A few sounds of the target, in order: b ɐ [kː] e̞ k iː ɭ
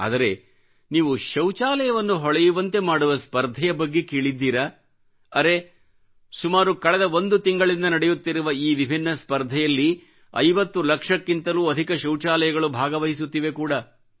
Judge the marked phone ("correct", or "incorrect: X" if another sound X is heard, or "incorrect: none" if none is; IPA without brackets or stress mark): incorrect: ɡː